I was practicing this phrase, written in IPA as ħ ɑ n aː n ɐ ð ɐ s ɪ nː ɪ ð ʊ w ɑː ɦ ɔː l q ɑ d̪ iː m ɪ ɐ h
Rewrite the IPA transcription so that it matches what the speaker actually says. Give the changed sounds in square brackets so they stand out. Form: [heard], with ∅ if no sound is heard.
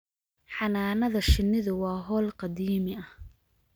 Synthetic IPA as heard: ħ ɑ n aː n ɐ ð ɐ [ʃ] ɪ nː ɪ ð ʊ w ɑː ɦ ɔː l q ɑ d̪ iː m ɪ ɐ h